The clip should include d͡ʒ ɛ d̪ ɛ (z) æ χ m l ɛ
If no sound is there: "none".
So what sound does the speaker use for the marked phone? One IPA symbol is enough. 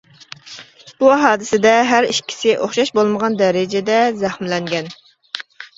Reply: z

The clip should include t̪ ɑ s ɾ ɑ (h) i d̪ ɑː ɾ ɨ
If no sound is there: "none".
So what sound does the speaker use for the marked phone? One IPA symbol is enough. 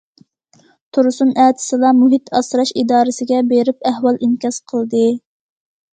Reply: ʃ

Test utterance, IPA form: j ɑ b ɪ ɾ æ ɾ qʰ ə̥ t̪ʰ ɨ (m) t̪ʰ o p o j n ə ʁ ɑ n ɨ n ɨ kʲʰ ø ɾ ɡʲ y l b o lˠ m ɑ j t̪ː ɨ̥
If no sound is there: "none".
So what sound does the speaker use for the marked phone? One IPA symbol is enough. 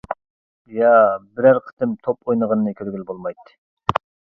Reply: m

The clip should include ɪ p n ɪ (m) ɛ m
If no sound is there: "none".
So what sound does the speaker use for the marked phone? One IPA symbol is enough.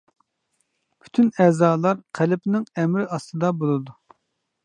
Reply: ŋ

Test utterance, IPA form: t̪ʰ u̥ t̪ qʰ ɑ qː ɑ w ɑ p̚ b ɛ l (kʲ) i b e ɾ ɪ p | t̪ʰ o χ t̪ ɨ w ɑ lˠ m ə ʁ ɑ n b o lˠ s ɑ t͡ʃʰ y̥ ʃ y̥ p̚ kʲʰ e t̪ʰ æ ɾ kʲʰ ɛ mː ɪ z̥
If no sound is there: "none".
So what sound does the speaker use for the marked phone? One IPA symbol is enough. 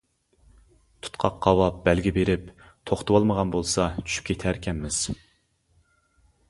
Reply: ɡʲ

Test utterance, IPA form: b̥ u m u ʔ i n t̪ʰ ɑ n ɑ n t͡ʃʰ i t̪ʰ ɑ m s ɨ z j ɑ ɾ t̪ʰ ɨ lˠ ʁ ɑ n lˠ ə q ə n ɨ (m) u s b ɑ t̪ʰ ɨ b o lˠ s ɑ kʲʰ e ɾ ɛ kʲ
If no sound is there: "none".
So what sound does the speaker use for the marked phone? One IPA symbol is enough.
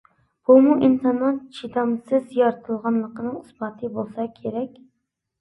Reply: ŋ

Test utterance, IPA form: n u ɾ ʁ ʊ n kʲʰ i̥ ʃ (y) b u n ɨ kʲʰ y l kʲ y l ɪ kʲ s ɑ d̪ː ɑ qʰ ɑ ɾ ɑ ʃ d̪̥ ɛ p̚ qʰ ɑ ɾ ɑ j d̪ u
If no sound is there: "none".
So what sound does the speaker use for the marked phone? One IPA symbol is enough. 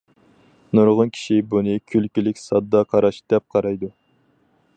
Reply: i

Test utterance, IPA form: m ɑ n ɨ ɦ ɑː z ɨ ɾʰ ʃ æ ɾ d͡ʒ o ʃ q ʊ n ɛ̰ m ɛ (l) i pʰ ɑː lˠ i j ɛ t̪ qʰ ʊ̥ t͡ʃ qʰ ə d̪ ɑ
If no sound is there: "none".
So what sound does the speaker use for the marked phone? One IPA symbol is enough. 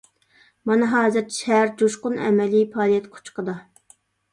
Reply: l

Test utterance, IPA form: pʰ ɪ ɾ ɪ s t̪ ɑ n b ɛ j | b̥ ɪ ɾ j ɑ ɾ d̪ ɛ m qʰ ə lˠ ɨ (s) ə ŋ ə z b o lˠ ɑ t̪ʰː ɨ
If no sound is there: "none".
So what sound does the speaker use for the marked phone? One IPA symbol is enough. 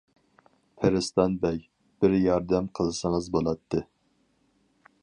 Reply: s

